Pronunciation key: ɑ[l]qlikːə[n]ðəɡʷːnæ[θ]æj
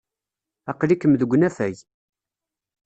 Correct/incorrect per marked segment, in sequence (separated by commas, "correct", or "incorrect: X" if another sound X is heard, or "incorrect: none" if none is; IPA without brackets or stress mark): incorrect: none, incorrect: m, incorrect: f